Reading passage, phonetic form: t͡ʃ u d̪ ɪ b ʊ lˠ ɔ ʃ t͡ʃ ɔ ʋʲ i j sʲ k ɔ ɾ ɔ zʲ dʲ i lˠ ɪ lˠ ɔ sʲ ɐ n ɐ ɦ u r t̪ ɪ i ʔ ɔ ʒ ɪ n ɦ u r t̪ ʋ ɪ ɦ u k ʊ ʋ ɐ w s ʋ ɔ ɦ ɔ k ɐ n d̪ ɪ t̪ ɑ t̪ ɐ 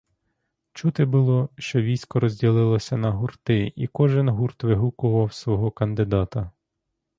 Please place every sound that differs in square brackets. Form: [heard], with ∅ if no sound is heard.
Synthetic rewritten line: t͡ʃ u [t̪] ɪ b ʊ lˠ ɔ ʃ t͡ʃ ɔ ʋʲ i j sʲ k ɔ ɾ ɔ zʲ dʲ i lˠ ɪ lˠ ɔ sʲ ɐ n ɐ ɦ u r t̪ ɪ i [k] ɔ ʒ ɪ n ɦ u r t̪ ʋ ɪ ɦ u k ʊ ʋ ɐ w s ʋ ɔ ɦ ɔ k ɐ n d̪ ɪ [d̪] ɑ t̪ ɐ